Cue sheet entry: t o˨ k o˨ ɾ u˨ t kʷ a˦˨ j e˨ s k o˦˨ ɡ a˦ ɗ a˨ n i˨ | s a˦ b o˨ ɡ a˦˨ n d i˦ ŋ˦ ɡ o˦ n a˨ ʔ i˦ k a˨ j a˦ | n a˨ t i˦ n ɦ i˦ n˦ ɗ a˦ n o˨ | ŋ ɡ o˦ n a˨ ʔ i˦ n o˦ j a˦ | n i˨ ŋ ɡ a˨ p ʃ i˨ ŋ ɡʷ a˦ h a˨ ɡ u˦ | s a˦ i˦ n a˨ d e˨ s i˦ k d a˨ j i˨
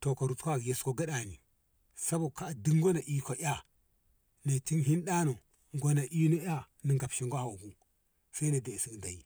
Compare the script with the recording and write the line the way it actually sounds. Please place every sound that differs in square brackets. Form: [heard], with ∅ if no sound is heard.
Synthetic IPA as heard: t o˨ k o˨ ɾ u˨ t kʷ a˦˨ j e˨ s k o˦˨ ɡ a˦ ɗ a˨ n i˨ | s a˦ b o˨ [k] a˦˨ [∅] d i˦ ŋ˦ ɡ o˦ n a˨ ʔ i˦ k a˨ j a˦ | n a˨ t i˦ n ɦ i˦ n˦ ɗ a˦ n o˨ | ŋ ɡ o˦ n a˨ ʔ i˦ n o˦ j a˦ | n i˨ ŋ ɡ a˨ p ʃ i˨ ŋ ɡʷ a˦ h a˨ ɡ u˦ | s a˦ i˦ n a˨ d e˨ s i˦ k d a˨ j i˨